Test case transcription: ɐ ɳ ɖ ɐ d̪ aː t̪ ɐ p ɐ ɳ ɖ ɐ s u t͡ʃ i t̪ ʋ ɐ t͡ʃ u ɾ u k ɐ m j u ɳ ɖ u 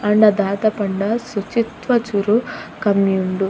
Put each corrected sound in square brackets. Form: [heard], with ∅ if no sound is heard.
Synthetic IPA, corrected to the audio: ɐ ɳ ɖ ɐ d̪ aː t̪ ɐ p ɐ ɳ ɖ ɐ s u t͡ʃ i t̪ ʋ ɐ t͡ʃ u ɾ u k ɐ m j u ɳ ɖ u